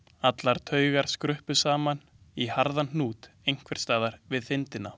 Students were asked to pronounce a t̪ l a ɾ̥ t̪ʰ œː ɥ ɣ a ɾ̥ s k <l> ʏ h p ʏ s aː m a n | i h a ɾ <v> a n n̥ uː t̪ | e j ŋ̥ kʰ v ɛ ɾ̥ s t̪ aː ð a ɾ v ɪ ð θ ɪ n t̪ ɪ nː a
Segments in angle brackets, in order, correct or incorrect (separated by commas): incorrect, incorrect